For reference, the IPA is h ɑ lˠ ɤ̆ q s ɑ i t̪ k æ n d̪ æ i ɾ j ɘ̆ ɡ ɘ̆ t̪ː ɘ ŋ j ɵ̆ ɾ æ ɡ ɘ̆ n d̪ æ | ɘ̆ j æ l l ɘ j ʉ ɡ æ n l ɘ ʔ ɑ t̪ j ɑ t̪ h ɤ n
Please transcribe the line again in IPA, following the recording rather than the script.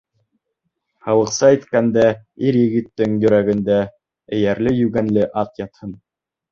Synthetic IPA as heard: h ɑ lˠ ɤ̆ q s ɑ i t̪ k æ n d̪ æ i ɾ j ɘ̆ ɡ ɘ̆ t̪ː ɘ ŋ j ɵ̆ ɾ æ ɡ ɘ̆ n d̪ æ | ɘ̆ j æ ɾ l ɘ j ʉ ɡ æ n l ɘ ʔ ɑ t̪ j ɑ t̪ h ɤ n